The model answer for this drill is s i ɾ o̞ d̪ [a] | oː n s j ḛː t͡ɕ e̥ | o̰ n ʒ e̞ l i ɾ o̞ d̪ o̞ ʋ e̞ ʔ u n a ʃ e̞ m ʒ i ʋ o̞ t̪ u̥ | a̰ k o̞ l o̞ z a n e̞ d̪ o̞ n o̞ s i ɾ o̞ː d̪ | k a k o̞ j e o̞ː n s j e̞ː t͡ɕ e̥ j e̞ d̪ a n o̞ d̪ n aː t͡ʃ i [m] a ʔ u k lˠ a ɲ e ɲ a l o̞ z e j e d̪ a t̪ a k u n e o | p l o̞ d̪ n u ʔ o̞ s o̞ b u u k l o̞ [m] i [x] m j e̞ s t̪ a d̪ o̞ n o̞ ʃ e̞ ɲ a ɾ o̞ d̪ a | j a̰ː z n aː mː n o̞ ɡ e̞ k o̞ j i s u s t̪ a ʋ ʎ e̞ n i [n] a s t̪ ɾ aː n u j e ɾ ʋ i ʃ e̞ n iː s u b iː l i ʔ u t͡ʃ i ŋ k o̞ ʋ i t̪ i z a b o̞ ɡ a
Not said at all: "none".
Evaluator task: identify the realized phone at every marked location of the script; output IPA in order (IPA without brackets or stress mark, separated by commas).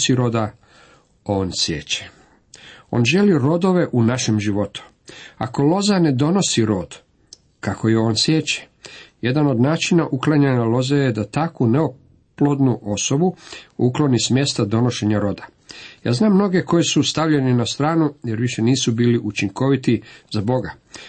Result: a, n, n, s, n